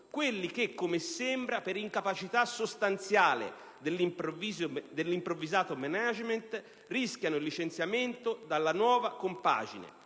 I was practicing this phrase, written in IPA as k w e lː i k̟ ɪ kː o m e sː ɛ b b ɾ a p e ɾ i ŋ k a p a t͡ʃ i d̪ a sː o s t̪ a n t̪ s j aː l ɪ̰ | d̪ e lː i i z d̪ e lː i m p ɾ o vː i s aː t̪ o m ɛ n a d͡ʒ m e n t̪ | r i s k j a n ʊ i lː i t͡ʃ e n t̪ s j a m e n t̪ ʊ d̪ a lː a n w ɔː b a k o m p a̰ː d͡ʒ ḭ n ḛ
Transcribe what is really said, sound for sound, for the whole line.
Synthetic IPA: k w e lː i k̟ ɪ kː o m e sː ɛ m b ɾ a p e ɾ i ŋ k a p a t͡ʃ i t̪ a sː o s t̪ a n t̪ s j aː l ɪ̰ | d̪ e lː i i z d̪ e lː i m p ɾ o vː i z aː t̪ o m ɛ n a d͡ʒ m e n t̪ | r i s k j a n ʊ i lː i t͡ʃ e n t̪ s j a m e n t̪ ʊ d̪ a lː a n w ɔː v a k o m p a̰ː d͡ʒ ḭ n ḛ